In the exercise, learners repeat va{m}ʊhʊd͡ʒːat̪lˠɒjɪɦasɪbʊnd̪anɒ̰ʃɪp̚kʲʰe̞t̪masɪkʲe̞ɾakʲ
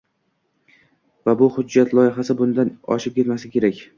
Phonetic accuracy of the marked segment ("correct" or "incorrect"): incorrect